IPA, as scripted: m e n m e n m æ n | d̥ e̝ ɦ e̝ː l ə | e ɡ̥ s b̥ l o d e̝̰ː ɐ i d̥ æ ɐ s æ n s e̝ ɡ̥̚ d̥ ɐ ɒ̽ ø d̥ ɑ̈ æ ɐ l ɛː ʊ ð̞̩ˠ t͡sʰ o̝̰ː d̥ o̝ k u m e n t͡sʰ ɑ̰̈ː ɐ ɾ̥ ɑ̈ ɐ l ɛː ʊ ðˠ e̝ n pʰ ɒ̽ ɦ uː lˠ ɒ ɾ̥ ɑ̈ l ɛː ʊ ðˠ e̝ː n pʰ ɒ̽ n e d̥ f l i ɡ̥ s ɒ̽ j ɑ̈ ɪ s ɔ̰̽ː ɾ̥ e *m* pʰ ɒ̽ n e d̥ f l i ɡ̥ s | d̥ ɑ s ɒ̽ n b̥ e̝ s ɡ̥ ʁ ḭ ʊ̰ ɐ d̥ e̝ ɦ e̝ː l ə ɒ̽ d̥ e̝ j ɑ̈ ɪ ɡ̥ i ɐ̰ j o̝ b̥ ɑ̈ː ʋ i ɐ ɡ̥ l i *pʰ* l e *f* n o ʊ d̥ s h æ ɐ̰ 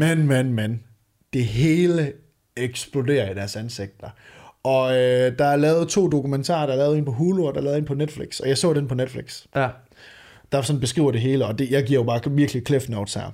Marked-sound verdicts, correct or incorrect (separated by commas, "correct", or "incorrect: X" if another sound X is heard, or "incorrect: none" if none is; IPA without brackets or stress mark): incorrect: n, incorrect: kʰ, correct